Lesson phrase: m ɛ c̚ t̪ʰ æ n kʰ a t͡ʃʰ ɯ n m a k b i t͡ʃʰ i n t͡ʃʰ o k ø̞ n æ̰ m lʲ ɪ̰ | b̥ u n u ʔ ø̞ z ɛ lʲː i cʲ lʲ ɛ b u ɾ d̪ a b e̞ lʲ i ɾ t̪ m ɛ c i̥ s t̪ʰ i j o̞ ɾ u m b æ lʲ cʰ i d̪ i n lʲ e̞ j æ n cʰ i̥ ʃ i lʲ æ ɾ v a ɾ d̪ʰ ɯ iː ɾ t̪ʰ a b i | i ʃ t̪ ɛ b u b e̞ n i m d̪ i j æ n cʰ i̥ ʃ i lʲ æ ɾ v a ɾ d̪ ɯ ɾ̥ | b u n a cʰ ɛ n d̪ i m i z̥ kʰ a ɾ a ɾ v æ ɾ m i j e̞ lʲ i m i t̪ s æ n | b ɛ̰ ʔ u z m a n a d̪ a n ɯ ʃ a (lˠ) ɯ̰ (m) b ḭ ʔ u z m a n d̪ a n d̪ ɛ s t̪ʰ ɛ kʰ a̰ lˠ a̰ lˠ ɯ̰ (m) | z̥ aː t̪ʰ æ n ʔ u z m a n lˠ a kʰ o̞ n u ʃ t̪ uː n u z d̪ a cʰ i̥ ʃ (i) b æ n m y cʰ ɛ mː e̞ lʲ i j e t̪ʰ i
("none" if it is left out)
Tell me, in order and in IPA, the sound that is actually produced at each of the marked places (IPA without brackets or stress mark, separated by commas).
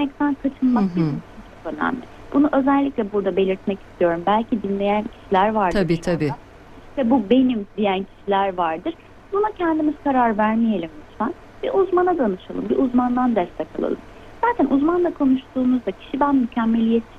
lˠ, m, m, i